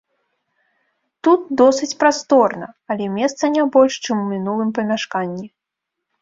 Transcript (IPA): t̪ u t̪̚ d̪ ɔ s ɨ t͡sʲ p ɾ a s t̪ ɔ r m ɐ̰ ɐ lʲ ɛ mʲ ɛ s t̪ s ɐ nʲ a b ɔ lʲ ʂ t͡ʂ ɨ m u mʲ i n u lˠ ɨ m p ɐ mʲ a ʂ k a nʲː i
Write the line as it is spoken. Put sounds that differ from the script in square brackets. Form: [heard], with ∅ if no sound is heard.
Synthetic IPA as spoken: t̪ u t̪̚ d̪ ɔ s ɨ t͡sʲ p ɾ a s t̪ ɔ r [n] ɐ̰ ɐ lʲ ɛ mʲ ɛ s t̪ s ɐ nʲ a b ɔ lʲ ʂ t͡ʂ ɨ m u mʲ i n u lˠ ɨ m p ɐ mʲ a ʂ k a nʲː i

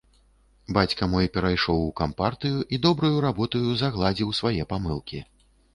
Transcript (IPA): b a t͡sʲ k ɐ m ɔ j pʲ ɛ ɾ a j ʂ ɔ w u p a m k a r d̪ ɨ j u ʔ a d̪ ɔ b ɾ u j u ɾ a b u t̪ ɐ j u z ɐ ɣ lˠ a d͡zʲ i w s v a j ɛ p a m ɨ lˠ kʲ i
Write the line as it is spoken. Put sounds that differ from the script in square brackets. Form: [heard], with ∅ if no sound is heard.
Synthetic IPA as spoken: b a t͡sʲ k ɐ m ɔ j pʲ ɛ ɾ a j ʂ ɔ w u [k] a m [p] a r [t̪] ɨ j u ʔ [i] d̪ ɔ b ɾ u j u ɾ a b [ɔ] t̪ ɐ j u z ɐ ɣ lˠ a d͡zʲ i w s v a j ɛ p a m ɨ lˠ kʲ i

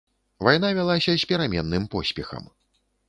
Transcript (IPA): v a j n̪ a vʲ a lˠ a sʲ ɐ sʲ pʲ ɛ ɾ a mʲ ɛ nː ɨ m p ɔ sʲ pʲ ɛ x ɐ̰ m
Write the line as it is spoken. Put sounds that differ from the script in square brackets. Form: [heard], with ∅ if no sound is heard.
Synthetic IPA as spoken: v a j n̪ a vʲ a lˠ a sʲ ɐ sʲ pʲ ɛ ɾ a mʲ ɛ nː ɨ m p ɔ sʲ pʲ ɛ x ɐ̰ m

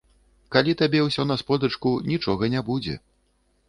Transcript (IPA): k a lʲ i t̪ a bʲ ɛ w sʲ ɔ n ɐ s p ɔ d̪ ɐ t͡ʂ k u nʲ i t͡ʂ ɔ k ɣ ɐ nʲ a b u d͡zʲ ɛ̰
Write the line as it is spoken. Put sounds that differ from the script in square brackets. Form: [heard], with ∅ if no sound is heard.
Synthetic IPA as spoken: k a lʲ i t̪ a bʲ ɛ w sʲ ɔ n ɐ s p ɔ d̪ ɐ t͡ʂ k u nʲ i t͡ʂ ɔ [∅] ɣ ɐ nʲ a b u d͡zʲ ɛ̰

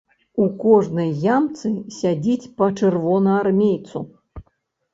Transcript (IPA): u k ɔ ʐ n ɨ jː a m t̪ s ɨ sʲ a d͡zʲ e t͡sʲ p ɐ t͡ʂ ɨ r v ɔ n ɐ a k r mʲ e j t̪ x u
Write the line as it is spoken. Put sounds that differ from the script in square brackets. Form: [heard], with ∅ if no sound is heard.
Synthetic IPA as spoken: u k ɔ ʐ n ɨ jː a m t̪ s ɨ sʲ a d͡zʲ [i] t͡sʲ p ɐ t͡ʂ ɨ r v ɔ n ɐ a [∅] r mʲ e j t̪ [s] u

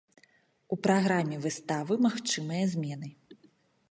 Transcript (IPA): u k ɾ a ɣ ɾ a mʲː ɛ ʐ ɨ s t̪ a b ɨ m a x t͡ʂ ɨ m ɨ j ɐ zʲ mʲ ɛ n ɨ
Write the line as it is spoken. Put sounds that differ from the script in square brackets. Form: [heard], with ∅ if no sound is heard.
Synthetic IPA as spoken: u [p] ɾ a ɣ ɾ a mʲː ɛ [v] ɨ s t̪ a [v] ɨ m a x t͡ʂ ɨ m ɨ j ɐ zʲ mʲ ɛ n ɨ

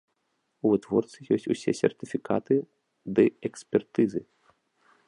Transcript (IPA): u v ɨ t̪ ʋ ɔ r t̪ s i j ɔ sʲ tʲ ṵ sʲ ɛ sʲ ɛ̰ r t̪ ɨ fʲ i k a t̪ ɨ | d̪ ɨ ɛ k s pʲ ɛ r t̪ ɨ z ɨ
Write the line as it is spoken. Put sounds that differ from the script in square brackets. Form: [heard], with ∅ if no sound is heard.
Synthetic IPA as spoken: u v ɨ t̪ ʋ ɔ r t̪ s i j ɔ sʲ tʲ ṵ sʲ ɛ sʲ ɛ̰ r t̪ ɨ fʲ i k a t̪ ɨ | d̪ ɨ ɛ k s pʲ ɛ r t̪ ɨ z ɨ

